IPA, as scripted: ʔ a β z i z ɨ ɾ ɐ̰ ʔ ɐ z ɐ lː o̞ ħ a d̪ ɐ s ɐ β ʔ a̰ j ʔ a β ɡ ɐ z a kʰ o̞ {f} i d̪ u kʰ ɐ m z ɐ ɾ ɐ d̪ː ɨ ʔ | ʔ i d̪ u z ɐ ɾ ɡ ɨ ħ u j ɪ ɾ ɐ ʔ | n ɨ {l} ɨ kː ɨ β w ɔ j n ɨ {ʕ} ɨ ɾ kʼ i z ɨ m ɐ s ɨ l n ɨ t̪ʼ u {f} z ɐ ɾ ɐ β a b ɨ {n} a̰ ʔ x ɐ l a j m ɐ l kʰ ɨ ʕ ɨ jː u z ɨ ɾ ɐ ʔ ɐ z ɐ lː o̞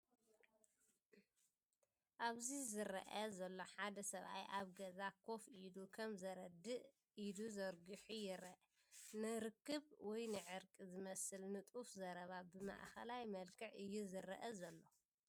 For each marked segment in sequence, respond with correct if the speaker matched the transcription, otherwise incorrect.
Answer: correct, incorrect: ɾ, correct, correct, incorrect: m

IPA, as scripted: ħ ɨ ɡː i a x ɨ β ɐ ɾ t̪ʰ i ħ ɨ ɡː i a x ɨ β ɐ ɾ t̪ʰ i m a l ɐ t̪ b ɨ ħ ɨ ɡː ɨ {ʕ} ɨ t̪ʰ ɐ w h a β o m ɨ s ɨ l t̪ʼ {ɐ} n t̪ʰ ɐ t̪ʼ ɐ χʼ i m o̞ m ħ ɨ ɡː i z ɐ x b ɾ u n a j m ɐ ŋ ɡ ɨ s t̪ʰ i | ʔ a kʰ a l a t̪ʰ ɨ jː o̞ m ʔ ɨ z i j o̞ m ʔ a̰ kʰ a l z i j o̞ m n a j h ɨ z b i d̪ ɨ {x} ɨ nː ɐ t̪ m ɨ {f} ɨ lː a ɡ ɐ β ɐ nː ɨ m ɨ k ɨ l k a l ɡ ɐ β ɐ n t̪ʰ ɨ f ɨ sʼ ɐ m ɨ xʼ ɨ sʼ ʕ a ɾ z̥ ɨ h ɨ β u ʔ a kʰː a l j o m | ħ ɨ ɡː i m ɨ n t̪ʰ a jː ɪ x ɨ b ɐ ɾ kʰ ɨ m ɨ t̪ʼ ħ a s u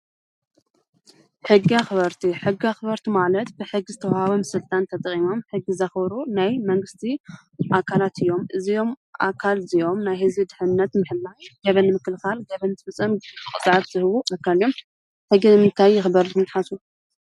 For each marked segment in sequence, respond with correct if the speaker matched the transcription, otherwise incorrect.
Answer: incorrect: z, incorrect: a, incorrect: ħ, incorrect: ħ

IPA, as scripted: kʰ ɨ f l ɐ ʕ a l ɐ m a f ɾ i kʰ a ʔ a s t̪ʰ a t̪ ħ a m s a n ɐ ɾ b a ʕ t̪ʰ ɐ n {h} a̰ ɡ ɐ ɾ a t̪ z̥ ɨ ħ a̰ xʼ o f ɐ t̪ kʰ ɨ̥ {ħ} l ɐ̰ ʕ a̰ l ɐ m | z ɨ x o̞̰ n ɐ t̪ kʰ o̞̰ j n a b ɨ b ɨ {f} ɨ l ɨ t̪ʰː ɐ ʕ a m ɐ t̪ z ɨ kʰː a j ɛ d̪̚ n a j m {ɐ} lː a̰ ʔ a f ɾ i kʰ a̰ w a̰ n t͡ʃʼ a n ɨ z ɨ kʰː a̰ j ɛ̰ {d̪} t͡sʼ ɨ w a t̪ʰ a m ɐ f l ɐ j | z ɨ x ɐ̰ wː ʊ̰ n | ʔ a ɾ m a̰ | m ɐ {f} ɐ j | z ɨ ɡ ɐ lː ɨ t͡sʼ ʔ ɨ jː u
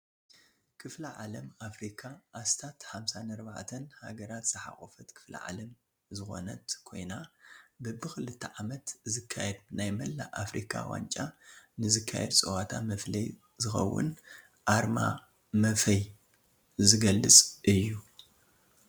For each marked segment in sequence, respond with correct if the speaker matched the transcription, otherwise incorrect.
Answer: correct, incorrect: f, incorrect: x, correct, correct, correct

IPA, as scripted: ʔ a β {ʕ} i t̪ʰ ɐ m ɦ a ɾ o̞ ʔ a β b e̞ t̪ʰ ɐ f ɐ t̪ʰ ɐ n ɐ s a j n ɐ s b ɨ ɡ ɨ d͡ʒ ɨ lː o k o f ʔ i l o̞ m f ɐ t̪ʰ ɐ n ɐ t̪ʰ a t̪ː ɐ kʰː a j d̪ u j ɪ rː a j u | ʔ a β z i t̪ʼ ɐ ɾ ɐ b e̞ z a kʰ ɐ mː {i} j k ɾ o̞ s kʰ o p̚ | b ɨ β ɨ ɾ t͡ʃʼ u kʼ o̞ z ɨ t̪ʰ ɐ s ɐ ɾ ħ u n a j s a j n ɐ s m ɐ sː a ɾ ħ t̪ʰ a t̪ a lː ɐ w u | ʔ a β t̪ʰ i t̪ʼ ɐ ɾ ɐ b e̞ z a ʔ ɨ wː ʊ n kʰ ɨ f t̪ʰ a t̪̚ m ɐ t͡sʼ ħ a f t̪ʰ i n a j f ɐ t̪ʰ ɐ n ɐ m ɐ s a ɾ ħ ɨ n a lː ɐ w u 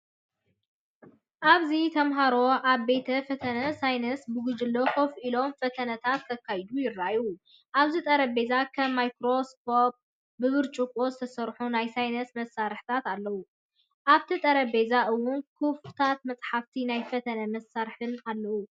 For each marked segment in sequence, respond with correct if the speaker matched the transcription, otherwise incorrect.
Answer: incorrect: z, incorrect: a

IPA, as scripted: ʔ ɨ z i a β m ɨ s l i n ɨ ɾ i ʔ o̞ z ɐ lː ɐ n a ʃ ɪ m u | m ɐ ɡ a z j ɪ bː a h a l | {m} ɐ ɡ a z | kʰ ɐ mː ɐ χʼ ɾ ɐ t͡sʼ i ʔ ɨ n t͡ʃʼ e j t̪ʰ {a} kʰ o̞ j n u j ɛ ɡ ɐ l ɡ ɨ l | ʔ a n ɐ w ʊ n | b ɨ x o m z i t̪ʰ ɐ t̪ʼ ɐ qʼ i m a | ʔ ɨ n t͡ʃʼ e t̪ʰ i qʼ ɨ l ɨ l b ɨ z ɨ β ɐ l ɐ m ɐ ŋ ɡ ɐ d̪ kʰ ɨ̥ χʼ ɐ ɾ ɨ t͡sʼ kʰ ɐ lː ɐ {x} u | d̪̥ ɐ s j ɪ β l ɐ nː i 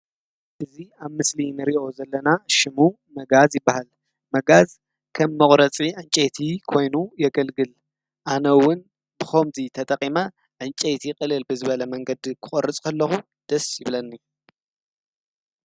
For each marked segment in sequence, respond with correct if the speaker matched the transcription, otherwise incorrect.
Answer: correct, incorrect: i, correct

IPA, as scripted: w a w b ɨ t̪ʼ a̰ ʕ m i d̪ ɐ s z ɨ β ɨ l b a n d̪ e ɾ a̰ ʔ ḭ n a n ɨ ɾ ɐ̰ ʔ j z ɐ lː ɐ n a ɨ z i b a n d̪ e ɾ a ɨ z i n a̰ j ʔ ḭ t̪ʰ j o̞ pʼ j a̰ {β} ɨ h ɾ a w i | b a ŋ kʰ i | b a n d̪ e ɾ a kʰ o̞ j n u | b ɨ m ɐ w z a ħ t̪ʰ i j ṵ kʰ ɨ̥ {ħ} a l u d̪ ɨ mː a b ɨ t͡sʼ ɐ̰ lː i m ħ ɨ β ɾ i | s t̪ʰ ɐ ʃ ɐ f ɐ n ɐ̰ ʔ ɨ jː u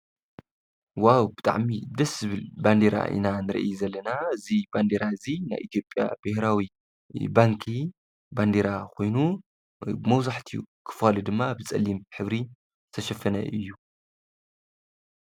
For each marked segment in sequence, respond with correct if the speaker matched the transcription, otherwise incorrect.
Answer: incorrect: b, incorrect: f

